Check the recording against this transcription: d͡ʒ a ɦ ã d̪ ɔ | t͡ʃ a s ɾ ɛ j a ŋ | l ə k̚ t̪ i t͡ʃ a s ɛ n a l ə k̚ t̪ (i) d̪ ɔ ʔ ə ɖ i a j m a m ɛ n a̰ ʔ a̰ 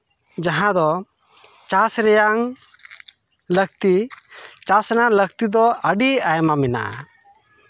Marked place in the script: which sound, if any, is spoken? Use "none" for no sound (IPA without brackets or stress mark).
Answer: i